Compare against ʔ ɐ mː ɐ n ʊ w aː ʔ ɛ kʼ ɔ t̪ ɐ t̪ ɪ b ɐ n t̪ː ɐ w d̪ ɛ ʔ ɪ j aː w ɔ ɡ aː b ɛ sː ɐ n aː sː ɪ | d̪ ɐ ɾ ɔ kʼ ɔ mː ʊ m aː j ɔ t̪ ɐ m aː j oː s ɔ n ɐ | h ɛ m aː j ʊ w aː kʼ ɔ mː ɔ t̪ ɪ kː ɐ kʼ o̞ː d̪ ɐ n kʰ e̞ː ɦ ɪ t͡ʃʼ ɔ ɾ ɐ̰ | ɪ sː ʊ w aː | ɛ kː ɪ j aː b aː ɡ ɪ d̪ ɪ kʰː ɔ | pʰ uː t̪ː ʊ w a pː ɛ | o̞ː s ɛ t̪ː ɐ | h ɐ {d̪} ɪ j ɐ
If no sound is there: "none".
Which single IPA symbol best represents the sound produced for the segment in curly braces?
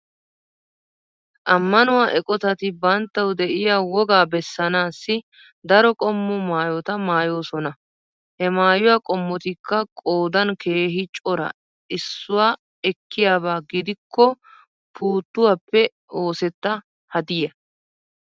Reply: d̪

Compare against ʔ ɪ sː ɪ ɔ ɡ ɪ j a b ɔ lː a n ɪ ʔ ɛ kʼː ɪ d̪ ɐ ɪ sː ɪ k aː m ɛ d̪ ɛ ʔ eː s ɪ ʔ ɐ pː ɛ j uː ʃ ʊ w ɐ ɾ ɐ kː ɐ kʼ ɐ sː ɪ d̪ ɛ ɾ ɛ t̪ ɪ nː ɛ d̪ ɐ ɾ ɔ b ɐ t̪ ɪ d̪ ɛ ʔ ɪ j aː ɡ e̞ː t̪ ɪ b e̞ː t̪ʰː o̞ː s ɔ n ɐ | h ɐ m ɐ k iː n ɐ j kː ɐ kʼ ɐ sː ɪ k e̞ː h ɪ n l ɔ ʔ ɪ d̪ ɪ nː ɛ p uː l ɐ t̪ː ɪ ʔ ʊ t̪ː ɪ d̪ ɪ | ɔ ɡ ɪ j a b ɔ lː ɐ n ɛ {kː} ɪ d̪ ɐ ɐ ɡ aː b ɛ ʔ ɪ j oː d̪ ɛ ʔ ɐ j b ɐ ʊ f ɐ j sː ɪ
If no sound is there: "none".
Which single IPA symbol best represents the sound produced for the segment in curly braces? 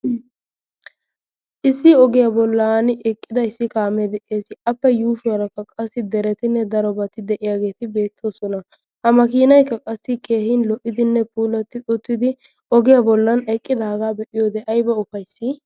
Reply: kʼː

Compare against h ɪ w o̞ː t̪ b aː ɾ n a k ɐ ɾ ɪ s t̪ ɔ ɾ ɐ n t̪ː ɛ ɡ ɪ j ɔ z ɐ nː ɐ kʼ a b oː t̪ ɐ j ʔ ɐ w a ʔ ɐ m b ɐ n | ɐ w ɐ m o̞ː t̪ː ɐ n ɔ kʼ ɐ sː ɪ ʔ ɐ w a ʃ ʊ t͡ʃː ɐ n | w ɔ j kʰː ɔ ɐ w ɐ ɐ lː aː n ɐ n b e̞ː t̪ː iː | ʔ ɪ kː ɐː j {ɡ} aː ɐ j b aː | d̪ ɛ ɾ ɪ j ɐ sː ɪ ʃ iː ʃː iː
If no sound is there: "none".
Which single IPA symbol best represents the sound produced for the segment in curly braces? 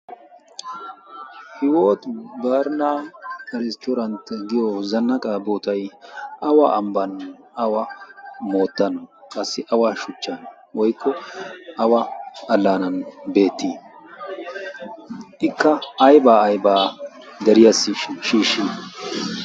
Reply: b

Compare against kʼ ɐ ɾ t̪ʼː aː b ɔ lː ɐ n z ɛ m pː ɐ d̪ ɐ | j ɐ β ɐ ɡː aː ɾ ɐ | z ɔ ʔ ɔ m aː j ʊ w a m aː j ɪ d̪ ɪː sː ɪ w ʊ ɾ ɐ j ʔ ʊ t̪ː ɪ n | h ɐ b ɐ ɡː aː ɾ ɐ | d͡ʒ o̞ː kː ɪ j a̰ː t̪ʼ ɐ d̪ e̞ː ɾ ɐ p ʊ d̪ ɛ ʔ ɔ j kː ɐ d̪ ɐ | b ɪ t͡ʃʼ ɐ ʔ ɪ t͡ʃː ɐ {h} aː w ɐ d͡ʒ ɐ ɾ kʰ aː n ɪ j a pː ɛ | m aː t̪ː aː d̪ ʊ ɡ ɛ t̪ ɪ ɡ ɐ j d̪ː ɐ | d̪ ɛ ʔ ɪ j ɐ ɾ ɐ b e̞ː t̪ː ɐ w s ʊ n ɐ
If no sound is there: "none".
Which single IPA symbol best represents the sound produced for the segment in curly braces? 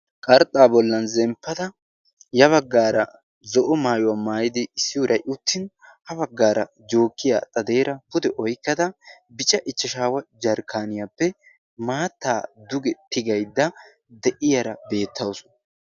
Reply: ʃ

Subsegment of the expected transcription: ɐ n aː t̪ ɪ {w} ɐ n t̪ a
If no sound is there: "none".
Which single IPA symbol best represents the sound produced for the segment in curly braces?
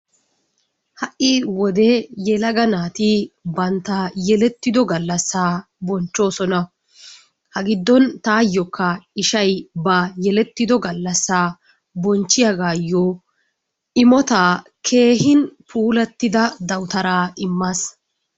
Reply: b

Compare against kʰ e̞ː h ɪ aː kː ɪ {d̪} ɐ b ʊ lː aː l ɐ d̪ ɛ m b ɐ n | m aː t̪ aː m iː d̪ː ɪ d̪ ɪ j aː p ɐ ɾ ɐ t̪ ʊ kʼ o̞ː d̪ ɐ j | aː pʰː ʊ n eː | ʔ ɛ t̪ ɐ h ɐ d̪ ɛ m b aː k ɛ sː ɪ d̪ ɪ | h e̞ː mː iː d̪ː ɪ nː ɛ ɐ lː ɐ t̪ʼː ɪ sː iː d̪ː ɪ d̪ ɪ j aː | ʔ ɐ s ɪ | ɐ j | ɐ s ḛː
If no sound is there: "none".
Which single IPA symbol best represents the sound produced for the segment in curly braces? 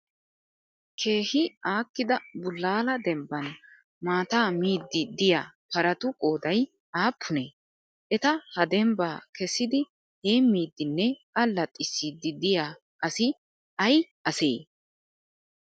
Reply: d̪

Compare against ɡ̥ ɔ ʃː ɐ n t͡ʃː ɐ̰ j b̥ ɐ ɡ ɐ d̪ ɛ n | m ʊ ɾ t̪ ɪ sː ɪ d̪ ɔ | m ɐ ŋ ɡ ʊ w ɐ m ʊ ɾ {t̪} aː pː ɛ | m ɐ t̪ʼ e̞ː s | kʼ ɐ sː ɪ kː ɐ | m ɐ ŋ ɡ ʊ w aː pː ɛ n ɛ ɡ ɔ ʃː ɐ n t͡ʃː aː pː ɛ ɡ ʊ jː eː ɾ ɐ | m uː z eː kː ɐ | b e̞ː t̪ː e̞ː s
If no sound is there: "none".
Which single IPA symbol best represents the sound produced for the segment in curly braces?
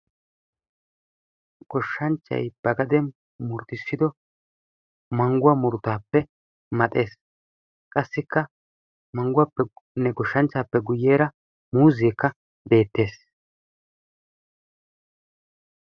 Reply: t̪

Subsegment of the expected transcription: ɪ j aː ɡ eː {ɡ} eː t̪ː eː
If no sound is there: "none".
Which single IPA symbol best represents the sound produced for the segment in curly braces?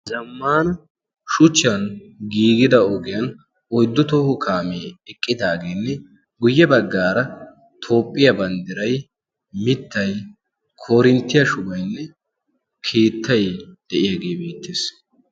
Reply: b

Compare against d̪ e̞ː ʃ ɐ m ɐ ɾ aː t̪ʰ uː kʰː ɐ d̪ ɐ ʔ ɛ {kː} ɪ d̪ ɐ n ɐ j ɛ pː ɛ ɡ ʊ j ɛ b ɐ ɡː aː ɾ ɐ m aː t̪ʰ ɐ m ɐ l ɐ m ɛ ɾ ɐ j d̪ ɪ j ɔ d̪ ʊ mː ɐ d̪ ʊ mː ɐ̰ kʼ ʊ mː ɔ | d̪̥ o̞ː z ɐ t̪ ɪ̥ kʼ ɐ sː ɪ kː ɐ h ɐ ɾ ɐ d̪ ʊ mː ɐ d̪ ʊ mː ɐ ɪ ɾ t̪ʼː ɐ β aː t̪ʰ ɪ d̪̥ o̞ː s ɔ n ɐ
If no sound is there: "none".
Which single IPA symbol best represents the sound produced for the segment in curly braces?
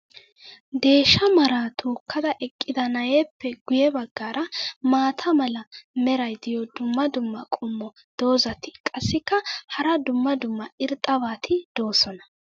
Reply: kʼː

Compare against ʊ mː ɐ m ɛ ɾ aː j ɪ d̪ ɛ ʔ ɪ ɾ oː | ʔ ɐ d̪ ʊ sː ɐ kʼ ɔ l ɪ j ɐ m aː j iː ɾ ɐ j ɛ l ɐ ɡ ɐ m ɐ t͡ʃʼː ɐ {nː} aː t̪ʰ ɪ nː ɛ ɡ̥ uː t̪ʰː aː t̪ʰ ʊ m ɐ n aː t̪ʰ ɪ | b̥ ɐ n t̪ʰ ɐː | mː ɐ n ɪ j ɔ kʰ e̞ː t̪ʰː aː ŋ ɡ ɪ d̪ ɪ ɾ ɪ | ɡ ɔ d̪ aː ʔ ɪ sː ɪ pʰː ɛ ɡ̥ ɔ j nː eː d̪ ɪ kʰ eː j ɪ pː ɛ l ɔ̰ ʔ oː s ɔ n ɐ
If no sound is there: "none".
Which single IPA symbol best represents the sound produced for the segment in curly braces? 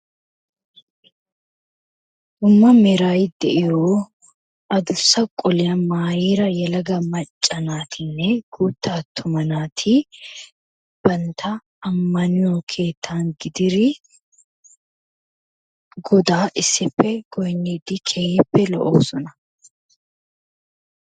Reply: n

